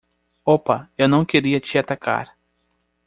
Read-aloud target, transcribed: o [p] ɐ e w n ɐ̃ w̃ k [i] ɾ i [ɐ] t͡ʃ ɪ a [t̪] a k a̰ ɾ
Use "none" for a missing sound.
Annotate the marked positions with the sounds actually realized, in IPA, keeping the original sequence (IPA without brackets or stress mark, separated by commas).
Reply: p, e, ɐ, t̪